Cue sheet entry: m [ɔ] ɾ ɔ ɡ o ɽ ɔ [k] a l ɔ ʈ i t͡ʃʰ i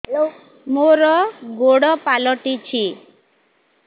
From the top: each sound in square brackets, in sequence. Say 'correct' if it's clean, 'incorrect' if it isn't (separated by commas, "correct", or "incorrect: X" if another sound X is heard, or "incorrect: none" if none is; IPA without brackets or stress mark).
incorrect: o, incorrect: p